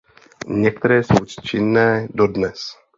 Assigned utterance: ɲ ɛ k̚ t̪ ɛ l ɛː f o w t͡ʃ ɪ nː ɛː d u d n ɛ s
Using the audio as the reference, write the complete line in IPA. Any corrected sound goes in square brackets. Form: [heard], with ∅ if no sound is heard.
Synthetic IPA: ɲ ɛ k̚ t̪ ɛ [ɾ] ɛː [s] o w t͡ʃ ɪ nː ɛː d [o] d n ɛ s